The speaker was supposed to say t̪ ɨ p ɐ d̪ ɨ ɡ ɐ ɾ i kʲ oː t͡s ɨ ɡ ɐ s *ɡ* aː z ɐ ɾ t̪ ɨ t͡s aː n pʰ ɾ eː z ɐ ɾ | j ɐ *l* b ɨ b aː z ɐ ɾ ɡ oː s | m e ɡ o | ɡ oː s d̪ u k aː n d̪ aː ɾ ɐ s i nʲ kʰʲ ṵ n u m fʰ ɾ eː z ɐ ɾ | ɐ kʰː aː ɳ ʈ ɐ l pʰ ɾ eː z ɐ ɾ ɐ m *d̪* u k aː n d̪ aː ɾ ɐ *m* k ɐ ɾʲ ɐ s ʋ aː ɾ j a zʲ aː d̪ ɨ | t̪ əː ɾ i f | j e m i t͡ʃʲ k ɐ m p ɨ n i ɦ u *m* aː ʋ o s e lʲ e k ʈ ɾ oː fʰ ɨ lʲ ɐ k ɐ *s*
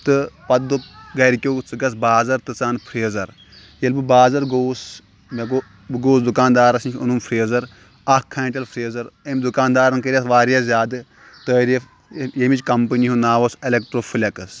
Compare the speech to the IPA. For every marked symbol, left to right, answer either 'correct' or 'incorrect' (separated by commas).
incorrect, correct, correct, incorrect, incorrect, correct